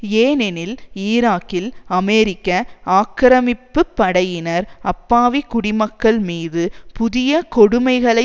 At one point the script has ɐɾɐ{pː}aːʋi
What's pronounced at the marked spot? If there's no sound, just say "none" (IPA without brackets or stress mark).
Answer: pː